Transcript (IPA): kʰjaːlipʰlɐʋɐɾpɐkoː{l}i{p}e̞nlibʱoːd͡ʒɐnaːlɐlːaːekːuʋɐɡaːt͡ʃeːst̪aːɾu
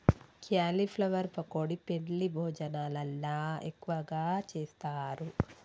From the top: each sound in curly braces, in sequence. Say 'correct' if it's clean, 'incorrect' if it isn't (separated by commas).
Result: incorrect, correct